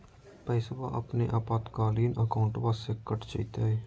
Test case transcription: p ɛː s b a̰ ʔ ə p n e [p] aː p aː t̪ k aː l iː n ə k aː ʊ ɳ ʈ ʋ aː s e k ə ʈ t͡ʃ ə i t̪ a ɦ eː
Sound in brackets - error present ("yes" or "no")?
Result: yes